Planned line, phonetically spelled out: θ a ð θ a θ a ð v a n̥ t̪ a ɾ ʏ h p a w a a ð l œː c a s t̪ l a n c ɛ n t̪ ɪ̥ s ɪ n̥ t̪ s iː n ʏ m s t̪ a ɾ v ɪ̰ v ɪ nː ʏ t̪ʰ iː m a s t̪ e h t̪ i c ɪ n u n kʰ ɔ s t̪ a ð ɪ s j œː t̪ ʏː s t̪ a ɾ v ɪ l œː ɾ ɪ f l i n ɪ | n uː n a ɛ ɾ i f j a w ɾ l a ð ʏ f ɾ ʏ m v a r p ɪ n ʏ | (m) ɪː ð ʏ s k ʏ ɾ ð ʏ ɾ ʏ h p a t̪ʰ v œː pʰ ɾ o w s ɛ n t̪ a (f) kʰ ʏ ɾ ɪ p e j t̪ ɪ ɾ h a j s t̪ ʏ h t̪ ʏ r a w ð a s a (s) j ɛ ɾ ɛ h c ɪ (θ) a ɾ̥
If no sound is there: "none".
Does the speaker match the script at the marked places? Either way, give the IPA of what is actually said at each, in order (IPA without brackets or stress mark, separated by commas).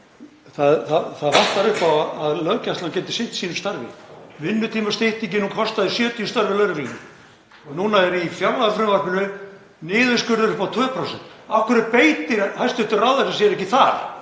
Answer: n, f, s, θ